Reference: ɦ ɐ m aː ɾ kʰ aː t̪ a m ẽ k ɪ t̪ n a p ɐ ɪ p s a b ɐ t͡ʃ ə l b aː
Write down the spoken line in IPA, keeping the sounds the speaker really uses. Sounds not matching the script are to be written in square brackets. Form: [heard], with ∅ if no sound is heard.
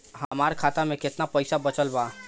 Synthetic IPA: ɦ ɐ m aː ɾ kʰ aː t̪ a m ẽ k ɪ t̪ n a p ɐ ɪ [∅] s a b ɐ t͡ʃ ə l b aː

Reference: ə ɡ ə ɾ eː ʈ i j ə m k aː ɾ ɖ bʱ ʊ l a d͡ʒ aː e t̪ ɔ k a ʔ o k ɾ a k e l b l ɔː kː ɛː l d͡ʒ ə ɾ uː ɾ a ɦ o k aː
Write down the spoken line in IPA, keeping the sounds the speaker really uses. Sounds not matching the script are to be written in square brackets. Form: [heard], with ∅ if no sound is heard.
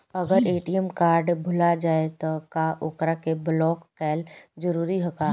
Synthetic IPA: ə ɡ ə ɾ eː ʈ i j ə m k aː ɾ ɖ bʱ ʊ l a d͡ʒ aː e t̪ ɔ k a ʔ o k ɾ a k e [∅] b l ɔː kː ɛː l d͡ʒ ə ɾ uː ɾ [i] ɦ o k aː

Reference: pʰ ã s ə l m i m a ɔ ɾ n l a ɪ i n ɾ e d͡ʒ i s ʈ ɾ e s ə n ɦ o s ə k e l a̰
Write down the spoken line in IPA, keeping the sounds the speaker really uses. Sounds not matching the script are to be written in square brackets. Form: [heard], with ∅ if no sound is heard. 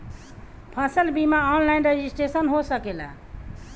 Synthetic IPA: pʰ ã s ə l [b] i m a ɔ [∅] n l a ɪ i n ɾ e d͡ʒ i s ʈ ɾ e s ə n ɦ o s ə k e l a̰

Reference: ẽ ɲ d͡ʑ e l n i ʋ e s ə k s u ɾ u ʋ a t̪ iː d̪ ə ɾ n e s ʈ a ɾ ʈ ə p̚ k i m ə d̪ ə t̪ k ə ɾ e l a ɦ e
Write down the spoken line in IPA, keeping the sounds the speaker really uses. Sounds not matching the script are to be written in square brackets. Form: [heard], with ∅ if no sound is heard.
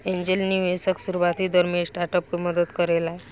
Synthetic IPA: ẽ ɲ d͡ʑ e l n i ʋ e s ə k s u ɾ u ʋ a t̪ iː d̪ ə ɾ [m] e s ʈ a ɾ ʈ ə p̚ k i m ə d̪ ə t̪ k ə ɾ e l a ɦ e

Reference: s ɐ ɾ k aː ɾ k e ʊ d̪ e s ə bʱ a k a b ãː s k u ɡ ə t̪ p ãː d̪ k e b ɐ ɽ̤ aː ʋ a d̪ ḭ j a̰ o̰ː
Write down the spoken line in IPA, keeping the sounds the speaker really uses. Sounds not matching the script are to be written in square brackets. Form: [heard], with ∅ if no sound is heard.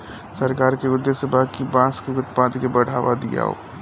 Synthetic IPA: s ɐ ɾ k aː ɾ k e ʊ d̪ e s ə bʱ a k [i] b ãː s k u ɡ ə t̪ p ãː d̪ k e b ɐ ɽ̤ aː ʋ a d̪ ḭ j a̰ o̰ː

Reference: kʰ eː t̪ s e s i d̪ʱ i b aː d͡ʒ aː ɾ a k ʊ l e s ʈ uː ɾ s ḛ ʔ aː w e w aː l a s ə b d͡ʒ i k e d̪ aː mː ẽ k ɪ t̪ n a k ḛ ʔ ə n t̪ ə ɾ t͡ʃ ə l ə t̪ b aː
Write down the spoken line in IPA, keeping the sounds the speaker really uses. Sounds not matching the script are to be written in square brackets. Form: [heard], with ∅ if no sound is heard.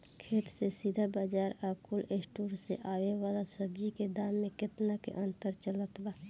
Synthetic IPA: kʰ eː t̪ s e s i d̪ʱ [a] b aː d͡ʒ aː ɾ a k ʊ l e s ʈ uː ɾ s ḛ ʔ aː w e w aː l a s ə b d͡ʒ i k e d̪ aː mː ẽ k ɪ t̪ n a k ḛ ʔ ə n t̪ ə ɾ t͡ʃ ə l ə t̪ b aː

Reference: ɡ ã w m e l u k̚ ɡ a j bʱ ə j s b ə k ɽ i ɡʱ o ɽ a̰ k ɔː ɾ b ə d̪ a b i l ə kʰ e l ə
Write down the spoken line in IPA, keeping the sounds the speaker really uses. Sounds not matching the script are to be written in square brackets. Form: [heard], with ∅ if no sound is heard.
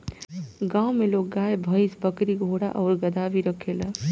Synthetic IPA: ɡ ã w m e l [o] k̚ ɡ a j bʱ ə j s b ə k [ɾ] i ɡʱ o ɽ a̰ [ʔ] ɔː ɾ [ɡ] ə d̪ a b i [ɾ] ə kʰ e l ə

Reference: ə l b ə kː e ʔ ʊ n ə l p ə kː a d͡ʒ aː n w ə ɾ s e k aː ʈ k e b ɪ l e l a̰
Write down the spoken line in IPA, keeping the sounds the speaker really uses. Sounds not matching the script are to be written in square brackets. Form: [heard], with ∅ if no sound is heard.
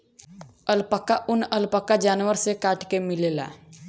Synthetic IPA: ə l [p] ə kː [a] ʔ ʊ n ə l p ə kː a d͡ʒ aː n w ə ɾ s e k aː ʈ k e [m] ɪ l e l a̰

